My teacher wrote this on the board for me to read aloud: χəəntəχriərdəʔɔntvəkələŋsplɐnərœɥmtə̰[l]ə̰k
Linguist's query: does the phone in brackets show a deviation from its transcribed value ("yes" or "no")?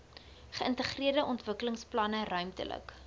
no